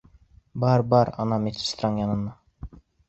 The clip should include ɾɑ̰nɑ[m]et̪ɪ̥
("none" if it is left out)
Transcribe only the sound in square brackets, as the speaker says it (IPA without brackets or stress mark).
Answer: m